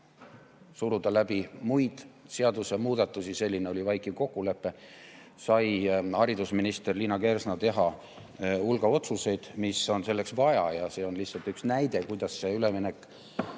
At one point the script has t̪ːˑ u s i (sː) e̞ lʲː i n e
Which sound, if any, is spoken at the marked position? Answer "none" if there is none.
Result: s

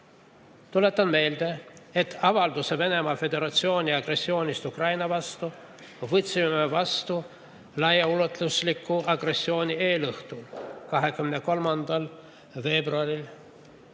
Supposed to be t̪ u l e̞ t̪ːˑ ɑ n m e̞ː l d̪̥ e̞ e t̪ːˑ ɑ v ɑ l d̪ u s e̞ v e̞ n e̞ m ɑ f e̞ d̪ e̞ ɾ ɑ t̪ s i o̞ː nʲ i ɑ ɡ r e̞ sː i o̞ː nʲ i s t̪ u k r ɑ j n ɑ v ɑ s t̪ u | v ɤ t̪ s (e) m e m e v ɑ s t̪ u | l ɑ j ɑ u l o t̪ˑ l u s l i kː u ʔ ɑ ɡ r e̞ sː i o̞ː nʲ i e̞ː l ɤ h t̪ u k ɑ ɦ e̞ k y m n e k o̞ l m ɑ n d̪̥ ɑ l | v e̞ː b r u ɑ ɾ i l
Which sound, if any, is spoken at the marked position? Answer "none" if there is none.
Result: i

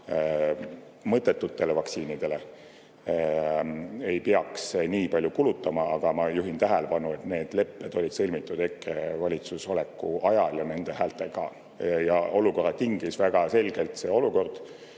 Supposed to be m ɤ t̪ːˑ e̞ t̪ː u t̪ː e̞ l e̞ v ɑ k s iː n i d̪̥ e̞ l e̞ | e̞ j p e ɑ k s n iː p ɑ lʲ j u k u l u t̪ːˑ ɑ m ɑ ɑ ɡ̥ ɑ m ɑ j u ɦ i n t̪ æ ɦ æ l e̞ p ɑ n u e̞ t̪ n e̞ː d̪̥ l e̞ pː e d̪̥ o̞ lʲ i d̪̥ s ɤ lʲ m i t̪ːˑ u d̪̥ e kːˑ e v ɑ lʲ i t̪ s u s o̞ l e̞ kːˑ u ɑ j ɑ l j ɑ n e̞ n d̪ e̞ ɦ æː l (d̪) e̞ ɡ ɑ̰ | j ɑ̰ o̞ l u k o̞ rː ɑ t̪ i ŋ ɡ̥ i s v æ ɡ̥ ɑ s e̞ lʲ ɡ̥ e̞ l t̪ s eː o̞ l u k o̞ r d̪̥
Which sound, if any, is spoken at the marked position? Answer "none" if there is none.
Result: t̪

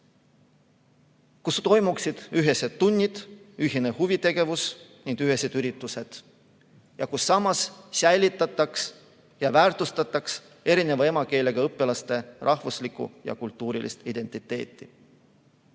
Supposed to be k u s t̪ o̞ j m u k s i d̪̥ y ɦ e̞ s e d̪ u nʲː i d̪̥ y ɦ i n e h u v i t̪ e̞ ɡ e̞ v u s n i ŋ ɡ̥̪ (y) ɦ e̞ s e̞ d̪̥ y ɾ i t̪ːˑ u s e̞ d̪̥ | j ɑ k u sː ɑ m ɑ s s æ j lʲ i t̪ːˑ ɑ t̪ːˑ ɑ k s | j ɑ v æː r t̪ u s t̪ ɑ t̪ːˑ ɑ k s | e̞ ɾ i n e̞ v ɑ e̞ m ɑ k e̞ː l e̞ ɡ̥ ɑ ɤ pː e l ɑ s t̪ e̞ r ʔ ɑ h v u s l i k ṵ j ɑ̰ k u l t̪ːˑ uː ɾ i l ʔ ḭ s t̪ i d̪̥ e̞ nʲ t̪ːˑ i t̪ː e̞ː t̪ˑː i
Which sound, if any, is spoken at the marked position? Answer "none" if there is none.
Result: y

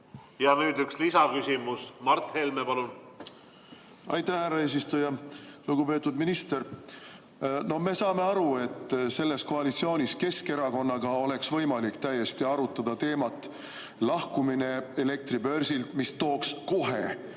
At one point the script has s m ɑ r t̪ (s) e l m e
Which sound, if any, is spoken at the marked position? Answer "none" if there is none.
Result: h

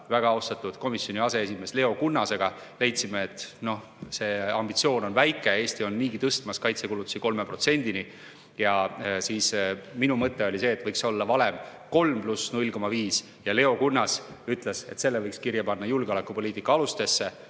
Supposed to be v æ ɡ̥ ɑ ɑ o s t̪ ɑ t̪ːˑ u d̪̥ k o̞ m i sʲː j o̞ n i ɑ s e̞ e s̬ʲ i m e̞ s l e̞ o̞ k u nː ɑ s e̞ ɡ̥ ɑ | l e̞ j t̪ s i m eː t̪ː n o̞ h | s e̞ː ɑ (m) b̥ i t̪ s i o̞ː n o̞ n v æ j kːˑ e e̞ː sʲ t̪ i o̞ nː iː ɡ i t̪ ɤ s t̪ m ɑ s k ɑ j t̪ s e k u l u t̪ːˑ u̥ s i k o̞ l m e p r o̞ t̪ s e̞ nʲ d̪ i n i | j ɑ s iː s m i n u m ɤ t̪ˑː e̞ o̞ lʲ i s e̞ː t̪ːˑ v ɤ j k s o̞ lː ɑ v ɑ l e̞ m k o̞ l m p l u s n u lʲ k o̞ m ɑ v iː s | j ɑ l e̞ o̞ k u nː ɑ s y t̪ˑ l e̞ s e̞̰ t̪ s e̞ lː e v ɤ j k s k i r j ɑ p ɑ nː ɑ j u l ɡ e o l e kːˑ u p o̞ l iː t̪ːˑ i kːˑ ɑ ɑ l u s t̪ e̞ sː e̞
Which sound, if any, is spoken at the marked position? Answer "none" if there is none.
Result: m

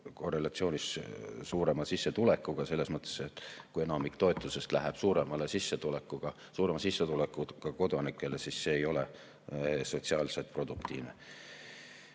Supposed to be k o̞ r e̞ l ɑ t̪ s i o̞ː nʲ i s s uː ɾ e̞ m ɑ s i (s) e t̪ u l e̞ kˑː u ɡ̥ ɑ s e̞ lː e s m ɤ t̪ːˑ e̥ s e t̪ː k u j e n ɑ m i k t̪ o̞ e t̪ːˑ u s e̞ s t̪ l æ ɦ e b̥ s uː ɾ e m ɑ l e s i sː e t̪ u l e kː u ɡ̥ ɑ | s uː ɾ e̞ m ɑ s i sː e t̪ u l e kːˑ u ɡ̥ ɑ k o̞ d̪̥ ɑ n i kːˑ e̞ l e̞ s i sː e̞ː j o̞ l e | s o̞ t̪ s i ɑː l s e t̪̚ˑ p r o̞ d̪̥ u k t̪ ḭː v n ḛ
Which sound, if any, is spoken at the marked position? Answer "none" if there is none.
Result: sː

